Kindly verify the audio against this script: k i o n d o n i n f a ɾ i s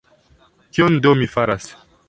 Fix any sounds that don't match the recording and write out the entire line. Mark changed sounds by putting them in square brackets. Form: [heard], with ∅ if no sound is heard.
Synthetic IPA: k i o n d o [m] i [∅] f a ɾ [a] s